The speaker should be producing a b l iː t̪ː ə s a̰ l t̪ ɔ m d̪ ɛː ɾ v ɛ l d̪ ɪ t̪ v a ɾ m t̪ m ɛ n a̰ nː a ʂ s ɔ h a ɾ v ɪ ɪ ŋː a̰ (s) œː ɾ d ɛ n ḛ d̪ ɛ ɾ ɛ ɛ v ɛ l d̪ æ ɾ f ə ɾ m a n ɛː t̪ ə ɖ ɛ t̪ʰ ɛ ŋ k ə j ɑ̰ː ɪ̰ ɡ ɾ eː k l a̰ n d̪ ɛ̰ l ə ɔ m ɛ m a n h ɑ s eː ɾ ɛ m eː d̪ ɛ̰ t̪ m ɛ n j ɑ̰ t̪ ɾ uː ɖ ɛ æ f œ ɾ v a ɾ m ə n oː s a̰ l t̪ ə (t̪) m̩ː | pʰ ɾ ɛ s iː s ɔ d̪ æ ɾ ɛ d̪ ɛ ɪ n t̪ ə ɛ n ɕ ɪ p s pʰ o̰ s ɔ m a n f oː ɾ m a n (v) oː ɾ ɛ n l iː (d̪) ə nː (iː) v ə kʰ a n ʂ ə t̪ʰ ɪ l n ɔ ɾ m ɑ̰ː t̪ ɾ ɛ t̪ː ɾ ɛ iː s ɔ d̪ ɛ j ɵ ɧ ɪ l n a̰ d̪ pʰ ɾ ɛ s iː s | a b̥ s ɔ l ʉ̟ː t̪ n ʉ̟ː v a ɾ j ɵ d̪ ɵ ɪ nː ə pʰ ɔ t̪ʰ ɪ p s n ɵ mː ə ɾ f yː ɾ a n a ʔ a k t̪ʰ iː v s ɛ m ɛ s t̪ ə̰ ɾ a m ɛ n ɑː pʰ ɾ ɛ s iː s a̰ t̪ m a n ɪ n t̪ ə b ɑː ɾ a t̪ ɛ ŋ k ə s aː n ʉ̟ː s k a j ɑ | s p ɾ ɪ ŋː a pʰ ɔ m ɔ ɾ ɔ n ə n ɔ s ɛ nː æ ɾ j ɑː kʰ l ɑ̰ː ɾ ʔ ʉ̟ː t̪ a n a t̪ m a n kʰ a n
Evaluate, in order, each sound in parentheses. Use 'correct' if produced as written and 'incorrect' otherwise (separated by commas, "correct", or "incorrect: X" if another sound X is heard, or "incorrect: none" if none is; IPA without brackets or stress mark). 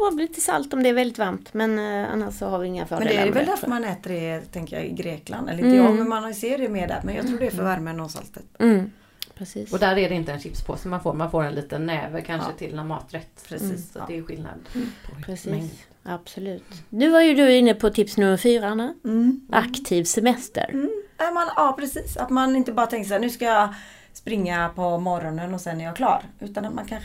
incorrect: f, correct, incorrect: f, incorrect: t̪, incorrect: ɛː